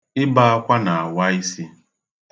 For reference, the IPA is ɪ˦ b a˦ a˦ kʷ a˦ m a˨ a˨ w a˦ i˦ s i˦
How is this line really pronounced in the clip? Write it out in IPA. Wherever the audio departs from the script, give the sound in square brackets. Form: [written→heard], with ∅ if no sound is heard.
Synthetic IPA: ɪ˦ b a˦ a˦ kʷ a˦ [m→n] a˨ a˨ w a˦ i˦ s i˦

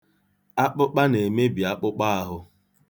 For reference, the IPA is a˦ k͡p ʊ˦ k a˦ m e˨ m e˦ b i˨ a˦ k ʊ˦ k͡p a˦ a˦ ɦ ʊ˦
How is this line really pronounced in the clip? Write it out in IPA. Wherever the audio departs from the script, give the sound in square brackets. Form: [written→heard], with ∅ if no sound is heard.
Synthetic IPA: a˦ k͡p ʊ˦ [k→k͡p] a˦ [m→n] e˨ m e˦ b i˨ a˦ [k→k͡p] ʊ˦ k͡p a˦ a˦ ɦ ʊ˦

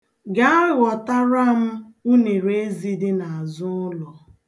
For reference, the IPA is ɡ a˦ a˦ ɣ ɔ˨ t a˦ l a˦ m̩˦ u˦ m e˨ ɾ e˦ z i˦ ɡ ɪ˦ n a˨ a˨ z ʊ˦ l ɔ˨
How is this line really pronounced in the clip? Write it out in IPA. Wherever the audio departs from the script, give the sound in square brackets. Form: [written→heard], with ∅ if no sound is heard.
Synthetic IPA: ɡ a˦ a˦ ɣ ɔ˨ t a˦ [l→ɾ] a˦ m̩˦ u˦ [m→n] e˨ ɾ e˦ z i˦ [ɡ→d] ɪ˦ n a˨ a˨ z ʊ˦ l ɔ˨

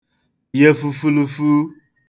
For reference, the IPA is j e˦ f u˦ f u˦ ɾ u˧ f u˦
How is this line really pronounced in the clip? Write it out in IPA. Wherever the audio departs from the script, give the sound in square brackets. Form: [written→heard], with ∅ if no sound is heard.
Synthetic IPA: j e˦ f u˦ f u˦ [ɾ→l] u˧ f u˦

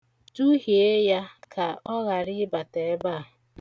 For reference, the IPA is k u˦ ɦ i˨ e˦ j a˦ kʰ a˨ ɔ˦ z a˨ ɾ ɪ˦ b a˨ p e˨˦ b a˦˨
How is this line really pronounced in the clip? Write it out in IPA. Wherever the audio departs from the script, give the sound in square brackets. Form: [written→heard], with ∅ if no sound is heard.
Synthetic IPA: [k→t] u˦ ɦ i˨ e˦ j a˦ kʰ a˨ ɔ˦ [z→ɣ] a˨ ɾ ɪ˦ b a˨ [p→t] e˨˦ b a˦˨

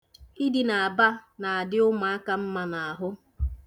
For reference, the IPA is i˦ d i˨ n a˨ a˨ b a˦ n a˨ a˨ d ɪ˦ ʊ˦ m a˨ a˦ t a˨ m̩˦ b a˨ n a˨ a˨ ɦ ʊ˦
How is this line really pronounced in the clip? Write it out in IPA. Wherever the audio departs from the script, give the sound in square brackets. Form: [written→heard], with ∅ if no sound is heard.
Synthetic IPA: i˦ d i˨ n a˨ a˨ b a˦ n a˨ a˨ d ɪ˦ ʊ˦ m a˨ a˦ [t→k] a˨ m̩˦ [b→m] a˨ n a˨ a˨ ɦ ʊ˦

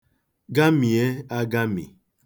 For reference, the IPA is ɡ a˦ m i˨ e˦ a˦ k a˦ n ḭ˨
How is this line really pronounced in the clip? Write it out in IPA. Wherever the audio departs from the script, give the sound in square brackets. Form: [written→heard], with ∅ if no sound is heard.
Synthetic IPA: ɡ a˦ m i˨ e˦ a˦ [k→ɡ] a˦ [n→m] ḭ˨

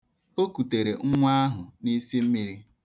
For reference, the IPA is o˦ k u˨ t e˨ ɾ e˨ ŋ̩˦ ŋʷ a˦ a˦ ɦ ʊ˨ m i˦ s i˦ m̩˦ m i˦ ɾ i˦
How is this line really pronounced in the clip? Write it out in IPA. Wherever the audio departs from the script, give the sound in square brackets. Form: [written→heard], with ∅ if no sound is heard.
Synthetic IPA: o˦ k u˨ t e˨ ɾ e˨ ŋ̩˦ ŋʷ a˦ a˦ ɦ ʊ˨ [m→n] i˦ s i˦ m̩˦ m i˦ ɾ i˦

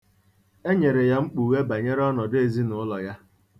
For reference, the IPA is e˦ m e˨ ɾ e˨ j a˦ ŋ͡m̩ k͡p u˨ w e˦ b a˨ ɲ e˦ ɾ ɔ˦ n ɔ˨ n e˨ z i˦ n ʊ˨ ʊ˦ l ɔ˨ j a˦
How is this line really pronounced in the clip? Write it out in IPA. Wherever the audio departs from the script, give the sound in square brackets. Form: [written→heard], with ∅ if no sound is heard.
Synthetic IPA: e˦ [m→ɲ] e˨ ɾ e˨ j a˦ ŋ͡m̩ k͡p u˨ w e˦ b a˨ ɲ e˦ ɾ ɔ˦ n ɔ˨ [n→d] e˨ z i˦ n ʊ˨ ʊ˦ l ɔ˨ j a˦

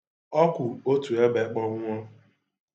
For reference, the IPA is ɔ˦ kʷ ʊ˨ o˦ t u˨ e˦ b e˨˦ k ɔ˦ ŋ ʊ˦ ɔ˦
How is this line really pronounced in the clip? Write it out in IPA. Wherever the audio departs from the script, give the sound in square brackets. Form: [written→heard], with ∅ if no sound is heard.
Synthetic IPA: ɔ˦ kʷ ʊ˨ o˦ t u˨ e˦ b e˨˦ [k→k͡p] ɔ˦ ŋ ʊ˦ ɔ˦

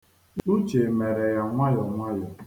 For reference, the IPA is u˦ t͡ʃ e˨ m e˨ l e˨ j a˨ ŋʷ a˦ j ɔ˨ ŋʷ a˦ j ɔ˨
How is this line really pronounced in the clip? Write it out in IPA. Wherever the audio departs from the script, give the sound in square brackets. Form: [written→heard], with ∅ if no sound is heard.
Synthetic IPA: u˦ t͡ʃ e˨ m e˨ [l→ɾ] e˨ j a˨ ŋʷ a˦ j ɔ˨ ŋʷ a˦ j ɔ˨

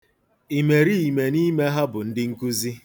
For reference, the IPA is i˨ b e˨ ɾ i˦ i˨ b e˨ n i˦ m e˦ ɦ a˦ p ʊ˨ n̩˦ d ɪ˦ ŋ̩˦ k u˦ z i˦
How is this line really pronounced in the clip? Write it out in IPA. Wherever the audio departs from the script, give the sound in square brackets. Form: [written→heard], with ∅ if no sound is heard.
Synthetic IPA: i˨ [b→m] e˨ ɾ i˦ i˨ [b→m] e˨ n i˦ m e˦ ɦ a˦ [p→b] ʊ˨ n̩˦ d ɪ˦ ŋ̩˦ k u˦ z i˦

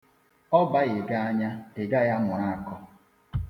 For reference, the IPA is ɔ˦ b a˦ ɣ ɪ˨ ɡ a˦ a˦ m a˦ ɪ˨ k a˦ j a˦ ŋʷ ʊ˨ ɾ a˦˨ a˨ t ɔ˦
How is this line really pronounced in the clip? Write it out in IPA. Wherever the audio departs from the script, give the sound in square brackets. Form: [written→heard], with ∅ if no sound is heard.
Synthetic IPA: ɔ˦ b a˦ ɣ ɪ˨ ɡ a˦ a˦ [m→ɲ] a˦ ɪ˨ [k→ɡ] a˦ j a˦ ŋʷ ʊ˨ ɾ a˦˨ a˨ [t→k] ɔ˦

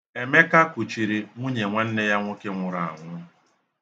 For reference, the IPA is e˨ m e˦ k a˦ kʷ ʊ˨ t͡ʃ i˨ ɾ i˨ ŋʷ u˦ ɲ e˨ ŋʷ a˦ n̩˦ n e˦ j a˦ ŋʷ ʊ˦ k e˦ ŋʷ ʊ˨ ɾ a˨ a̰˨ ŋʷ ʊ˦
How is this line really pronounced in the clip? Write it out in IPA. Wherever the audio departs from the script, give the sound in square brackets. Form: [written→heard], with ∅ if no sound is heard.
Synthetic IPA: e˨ m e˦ k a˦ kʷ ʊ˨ t͡ʃ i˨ ɾ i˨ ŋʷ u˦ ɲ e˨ ŋʷ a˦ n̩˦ n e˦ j a˦ ŋʷ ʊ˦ k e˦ ŋʷ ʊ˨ ɾ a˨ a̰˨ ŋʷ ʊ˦

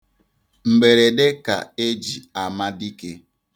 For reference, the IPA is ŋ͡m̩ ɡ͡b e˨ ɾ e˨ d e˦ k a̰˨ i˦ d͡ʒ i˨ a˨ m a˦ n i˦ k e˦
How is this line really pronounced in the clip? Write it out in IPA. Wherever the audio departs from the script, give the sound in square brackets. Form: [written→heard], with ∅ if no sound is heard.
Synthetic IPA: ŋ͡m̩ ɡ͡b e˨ ɾ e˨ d e˦ k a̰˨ [i˦→e˦] d͡ʒ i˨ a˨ m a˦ [n→d] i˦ k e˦

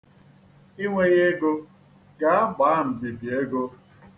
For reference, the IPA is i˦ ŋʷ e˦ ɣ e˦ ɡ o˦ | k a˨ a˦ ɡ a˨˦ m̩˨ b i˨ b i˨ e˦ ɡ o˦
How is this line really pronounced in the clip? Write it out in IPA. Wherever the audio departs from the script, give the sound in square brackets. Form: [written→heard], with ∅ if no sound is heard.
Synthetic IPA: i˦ ŋʷ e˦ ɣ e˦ ɡ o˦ | [k→ɡ] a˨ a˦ [ɡ→ɡ͡b] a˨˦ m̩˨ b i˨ b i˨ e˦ ɡ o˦

